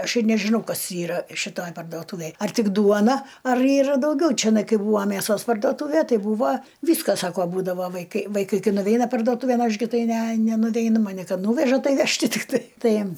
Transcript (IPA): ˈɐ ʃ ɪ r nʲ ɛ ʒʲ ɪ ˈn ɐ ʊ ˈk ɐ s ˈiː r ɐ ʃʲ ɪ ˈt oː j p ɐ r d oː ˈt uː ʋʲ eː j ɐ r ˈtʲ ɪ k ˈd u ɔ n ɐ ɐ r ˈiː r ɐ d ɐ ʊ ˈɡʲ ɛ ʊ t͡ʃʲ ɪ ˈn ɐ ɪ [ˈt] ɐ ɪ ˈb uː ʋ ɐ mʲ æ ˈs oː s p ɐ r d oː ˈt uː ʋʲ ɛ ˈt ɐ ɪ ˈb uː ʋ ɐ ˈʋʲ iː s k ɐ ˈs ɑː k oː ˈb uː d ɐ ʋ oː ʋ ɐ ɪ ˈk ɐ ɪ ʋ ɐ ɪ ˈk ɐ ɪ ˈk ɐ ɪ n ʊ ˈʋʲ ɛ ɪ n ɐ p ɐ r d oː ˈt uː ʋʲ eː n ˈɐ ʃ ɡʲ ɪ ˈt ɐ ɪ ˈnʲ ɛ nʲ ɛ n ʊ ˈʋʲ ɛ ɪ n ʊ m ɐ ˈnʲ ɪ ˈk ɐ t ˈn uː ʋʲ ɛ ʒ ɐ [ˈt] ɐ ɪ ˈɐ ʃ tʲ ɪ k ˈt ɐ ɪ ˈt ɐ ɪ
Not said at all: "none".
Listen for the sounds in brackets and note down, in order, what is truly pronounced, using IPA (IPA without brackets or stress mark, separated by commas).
k, t